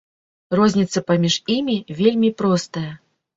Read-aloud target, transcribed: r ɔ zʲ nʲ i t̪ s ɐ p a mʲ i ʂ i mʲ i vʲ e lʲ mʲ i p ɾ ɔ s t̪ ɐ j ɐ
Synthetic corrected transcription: r ɔ zʲ nʲ i t̪ s ɐ p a mʲ i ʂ i mʲ i vʲ e lʲ mʲ i p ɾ ɔ s t̪ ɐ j ɐ